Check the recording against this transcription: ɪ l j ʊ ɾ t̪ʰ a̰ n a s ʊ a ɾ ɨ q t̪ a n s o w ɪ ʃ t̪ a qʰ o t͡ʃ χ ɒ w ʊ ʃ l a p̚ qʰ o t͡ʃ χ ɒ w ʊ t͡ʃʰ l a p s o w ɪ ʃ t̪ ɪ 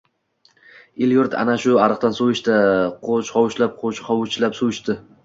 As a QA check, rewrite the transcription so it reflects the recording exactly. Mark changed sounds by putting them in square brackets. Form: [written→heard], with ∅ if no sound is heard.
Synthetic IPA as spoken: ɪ l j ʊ ɾ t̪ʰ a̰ n a [s→ʃ] ʊ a ɾ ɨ q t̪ a n s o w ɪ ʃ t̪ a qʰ o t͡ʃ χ ɒ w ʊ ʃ l a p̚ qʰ o t͡ʃ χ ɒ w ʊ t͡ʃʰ l a p s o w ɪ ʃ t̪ ɪ

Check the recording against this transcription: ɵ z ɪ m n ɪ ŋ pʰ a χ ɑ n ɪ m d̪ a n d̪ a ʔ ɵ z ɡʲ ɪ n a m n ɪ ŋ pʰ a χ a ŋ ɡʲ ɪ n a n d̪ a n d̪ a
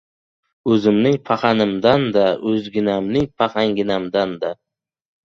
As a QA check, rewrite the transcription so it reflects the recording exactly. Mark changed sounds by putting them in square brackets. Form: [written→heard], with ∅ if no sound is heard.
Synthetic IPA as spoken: ɵ z ɪ m n ɪ ŋ pʰ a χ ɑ n ɪ m d̪ a n d̪ a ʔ ɵ z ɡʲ ɪ n a m n ɪ ŋ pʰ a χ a ŋ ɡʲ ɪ n a [n→m] d̪ a n d̪ a

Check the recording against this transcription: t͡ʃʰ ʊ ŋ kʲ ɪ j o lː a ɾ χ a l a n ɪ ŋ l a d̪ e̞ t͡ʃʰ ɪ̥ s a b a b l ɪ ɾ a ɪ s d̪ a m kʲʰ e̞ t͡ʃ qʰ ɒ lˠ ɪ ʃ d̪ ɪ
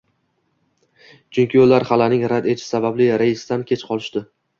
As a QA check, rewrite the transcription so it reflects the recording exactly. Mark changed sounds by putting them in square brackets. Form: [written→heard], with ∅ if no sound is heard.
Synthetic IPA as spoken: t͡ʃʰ ʊ ŋ kʲ ɪ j o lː a ɾ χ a l a n ɪ ŋ [l→ɾ] a d̪ e̞ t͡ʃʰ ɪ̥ s a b a b l ɪ ɾ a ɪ s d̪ a [m→n] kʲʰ e̞ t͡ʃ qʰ ɒ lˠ ɪ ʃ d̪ ɪ

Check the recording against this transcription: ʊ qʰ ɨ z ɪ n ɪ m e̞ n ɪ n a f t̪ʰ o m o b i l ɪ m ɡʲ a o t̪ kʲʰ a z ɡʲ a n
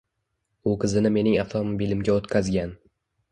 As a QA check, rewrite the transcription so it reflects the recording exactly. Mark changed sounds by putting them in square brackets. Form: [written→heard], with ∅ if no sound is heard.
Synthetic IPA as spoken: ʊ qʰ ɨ z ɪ n ɪ m e̞ n ɪ [n→ŋ] a f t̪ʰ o m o b i l ɪ m ɡʲ a o t̪ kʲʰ a z ɡʲ a n

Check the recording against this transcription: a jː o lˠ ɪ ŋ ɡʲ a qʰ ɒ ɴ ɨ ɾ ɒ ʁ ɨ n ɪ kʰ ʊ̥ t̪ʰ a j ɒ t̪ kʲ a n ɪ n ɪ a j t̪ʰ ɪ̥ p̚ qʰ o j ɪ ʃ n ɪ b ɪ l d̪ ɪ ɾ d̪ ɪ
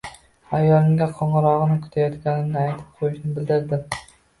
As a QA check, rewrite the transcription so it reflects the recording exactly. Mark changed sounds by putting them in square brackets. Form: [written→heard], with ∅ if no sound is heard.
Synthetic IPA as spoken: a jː [o→ɒ] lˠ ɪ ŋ ɡʲ a qʰ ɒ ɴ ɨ ɾ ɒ ʁ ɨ n ɪ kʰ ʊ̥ t̪ʰ a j ɒ t̪ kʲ a n ɪ n ɪ a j t̪ʰ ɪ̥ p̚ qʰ o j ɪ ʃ n ɪ b ɪ l d̪ ɪ ɾ d̪ ɪ

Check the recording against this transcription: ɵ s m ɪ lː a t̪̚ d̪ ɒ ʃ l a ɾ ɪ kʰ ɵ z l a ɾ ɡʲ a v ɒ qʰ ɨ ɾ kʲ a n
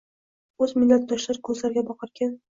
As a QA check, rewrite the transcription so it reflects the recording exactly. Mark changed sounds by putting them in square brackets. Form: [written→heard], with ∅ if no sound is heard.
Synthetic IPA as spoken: ɵ [s→z] m ɪ lː a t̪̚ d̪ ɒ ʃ l a ɾ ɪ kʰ ɵ z l a ɾ ɡʲ a [v→b] ɒ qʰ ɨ ɾ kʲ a n

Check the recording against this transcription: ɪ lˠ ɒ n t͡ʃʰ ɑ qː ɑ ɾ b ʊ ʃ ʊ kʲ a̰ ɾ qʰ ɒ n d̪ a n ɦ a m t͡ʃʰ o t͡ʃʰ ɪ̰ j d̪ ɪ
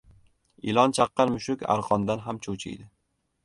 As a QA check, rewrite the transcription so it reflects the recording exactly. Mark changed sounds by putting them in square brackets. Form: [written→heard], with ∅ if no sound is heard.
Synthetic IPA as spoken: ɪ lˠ ɒ n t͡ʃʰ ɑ qː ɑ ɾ [b→m] ʊ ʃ ʊ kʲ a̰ ɾ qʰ ɒ n d̪ a n ɦ a m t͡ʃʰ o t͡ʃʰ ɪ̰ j d̪ ɪ

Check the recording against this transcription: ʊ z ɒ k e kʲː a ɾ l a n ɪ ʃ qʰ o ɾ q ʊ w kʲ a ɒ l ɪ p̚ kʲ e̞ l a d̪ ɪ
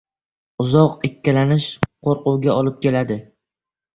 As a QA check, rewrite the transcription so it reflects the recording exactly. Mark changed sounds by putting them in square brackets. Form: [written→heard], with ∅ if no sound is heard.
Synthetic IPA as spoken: ʊ z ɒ [k→q] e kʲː a [ɾ→∅] l a n ɪ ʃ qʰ o ɾ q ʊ w [kʲ→ɡʲ] a ɒ l ɪ p̚ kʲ e̞ l a d̪ ɪ

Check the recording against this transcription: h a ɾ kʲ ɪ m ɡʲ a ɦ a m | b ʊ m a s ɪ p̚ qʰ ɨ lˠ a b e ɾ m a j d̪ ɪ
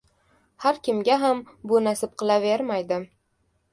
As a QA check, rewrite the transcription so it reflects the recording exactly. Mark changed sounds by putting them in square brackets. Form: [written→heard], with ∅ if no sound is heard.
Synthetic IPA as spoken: h a ɾ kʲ ɪ m ɡʲ a ɦ a m | b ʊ [m→n] a s ɪ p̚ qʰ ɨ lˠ a [b→v] e ɾ m a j d̪ ɪ

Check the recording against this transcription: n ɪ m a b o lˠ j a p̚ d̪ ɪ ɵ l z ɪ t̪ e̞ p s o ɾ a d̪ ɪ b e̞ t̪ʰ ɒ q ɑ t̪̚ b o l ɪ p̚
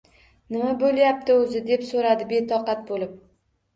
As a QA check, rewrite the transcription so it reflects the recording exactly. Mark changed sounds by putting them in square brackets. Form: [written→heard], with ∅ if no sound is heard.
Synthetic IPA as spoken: n ɪ m a b o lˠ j a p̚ [d̪→t̪] ɪ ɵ [l→∅] z ɪ [t̪→d̪] e̞ p s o ɾ a d̪ ɪ b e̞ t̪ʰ ɒ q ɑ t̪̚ b o l ɪ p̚

